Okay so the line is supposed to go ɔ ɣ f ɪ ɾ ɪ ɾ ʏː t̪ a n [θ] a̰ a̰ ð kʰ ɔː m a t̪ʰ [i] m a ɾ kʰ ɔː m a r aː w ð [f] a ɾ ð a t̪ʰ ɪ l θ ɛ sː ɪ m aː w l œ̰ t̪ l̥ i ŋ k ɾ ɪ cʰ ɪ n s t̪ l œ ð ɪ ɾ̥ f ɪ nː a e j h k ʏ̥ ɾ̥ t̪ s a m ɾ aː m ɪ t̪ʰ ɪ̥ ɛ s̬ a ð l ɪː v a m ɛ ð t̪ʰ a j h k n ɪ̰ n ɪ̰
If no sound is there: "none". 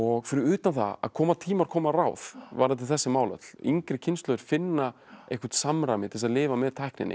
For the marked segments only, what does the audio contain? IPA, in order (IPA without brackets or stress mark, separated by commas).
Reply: θ, iː, v